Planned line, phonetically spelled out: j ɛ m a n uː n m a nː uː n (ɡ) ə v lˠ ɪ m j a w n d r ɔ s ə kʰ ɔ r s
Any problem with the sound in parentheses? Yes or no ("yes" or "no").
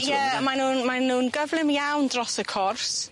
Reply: no